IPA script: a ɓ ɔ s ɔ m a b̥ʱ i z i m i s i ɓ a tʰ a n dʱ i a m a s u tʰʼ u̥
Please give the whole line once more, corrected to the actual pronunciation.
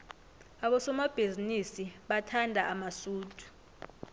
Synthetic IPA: a ɓ ɔ s ɔ m a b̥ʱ i z i n i s i ɓ a tʰ a n dʱ a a m a s uː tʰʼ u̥